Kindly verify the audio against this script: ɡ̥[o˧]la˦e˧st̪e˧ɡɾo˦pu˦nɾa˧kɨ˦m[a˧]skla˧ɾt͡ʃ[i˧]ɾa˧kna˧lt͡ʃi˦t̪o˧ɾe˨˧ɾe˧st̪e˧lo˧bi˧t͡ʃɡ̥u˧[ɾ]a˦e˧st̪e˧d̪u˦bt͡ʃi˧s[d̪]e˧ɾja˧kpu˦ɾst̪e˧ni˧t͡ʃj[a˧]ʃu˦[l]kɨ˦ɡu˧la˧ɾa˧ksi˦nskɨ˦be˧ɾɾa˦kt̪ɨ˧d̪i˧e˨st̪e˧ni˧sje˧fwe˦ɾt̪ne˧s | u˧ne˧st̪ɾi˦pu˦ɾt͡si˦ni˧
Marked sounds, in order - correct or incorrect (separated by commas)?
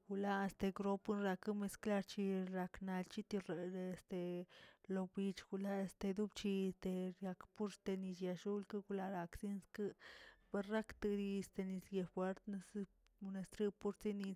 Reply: incorrect, incorrect, correct, incorrect, incorrect, correct, correct